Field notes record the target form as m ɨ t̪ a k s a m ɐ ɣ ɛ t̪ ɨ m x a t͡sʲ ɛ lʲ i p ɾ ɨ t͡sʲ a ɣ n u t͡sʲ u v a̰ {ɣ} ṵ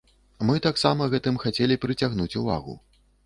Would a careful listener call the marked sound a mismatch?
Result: no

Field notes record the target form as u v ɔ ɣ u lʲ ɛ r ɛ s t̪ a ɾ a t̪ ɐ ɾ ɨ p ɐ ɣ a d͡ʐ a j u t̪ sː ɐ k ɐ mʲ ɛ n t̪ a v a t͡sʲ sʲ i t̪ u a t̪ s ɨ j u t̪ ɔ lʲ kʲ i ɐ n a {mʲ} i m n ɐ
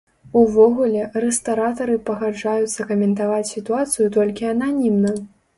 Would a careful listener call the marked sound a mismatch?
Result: yes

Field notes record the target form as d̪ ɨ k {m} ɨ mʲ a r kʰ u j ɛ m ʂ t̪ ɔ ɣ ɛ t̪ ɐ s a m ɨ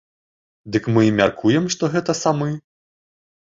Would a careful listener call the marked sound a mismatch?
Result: no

